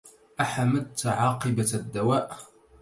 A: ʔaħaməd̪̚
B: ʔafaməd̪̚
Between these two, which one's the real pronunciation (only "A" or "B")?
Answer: A